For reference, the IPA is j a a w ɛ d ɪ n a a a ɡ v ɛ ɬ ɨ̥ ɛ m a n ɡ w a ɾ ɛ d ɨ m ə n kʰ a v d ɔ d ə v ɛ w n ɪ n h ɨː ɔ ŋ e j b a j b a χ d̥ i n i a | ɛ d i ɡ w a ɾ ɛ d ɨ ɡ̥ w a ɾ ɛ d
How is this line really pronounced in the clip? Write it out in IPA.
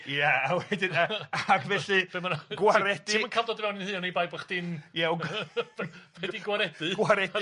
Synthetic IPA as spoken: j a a w ɛ d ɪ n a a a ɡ v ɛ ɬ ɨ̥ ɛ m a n ɡ w a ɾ ɛ d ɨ m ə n kʰ a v d ɔ d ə v ɛ w n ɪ n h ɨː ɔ n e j b a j b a χ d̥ ɪ n j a | ɛ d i ɡ w a ɾ ɛ d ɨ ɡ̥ w a ɾ ɛ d